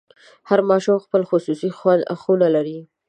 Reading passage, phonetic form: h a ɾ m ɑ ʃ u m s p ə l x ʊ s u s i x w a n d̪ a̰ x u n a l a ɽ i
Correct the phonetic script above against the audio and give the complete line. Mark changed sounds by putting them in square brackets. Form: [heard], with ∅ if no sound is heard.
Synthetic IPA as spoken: h a ɾ m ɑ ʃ u m [x] p ə l x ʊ s u s i x w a n d̪ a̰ x u n a l a [ɾ] i